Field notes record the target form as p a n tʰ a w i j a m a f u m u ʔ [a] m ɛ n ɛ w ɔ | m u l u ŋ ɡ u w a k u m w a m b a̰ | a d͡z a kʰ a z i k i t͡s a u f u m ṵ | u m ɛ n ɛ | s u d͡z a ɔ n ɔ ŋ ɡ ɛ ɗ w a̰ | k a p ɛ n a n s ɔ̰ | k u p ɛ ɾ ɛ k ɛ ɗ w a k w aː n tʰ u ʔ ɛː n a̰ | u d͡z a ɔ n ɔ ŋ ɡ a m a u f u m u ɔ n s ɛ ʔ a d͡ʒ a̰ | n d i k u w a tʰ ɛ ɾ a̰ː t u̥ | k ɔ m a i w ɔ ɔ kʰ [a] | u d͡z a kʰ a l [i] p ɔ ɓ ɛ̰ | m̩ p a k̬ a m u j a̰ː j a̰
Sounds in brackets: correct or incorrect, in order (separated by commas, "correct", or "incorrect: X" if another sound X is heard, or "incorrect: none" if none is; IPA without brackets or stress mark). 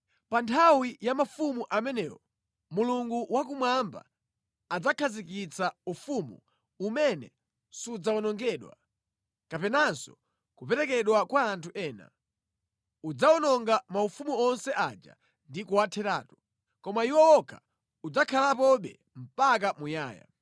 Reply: correct, correct, incorrect: a